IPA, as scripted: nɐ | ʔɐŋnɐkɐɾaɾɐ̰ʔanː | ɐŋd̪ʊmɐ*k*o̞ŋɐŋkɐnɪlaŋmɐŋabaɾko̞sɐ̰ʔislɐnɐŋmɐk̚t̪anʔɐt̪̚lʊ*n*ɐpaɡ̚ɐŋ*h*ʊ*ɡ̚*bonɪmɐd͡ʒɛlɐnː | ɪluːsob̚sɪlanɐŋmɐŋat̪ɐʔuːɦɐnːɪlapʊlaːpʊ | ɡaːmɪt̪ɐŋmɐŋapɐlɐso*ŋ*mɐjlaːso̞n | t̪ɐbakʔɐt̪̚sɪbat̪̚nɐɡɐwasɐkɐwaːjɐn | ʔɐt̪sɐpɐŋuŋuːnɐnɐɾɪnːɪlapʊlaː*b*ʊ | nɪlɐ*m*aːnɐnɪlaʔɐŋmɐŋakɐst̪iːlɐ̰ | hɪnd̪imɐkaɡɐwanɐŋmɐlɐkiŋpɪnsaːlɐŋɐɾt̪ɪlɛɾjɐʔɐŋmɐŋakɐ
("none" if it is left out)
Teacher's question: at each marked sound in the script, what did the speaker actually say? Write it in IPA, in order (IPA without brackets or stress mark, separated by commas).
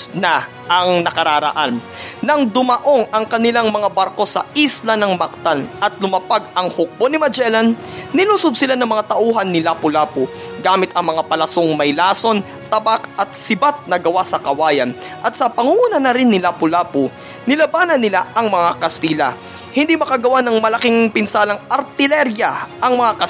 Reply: ʔ, m, h, k̚, ŋ, p, b